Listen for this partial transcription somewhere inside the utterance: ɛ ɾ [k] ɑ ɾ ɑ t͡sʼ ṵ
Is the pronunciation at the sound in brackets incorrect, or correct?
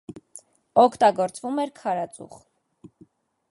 incorrect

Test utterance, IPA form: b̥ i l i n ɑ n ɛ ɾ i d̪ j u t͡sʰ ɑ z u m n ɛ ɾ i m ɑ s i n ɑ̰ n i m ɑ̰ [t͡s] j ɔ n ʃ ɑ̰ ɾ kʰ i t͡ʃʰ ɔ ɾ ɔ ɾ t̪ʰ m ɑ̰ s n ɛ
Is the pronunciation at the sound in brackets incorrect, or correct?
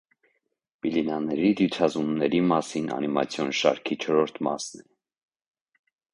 incorrect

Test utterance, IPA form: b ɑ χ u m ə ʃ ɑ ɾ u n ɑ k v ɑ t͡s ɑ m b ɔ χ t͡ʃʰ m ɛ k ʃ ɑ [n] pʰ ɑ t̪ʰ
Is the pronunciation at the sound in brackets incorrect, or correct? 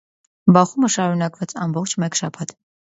incorrect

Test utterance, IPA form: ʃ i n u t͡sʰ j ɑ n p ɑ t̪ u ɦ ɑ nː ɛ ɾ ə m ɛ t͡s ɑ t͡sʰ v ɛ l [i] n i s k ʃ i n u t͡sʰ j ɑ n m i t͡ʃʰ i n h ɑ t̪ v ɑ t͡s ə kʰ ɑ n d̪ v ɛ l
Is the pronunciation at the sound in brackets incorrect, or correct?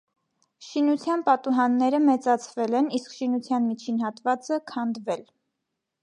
incorrect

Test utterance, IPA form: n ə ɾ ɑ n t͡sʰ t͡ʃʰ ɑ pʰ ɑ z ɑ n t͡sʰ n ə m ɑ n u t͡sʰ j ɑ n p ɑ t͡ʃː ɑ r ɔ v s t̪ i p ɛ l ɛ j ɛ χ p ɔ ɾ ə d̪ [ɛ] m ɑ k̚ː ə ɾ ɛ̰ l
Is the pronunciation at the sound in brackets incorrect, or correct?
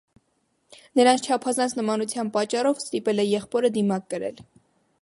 incorrect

